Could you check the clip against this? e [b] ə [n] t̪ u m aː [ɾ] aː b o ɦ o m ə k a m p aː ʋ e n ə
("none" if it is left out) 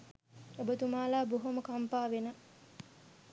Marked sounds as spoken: b, none, l

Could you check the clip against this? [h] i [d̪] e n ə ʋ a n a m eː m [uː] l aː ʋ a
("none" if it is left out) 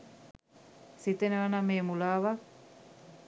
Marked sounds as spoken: s, t̪, u

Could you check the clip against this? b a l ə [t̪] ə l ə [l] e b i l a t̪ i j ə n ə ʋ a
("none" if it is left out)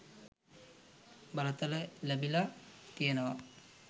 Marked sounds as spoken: t̪, l

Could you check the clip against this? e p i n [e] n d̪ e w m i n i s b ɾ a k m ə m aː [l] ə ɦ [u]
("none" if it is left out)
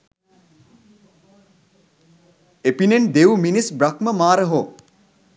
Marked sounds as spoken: e, ɾ, o

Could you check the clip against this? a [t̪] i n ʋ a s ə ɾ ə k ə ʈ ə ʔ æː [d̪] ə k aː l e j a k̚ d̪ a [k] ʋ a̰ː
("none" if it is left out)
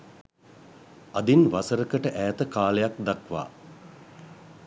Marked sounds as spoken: d̪, t̪, k

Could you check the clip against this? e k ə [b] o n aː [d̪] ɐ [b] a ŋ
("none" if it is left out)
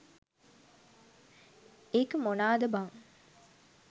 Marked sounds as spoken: m, d̪, b

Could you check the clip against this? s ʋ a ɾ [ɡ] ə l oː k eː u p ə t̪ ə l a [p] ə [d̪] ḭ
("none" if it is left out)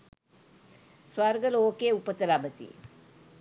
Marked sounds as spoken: ɡ, b, t̪

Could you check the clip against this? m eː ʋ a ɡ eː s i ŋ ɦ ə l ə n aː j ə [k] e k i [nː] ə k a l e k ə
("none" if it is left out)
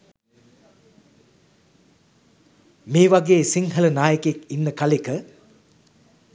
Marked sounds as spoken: k, nː

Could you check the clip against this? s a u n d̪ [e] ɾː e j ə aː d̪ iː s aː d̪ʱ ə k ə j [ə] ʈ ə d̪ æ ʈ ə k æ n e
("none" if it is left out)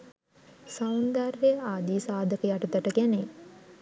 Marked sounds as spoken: a, a

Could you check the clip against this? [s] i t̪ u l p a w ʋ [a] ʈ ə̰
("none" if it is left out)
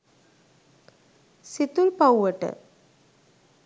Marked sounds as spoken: s, ə

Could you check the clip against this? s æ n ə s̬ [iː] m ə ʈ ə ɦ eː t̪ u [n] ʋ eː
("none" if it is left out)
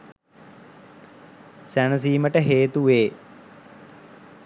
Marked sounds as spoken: iː, none

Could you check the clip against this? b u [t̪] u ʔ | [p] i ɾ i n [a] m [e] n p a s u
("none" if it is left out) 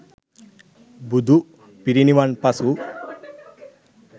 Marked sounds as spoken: d̪, p, i, a

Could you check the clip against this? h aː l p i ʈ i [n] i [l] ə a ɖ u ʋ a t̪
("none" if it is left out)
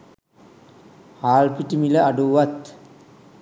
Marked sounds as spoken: m, l

